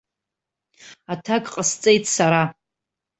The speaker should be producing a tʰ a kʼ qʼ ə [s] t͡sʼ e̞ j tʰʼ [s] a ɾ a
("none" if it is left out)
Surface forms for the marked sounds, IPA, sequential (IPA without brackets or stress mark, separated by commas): s, s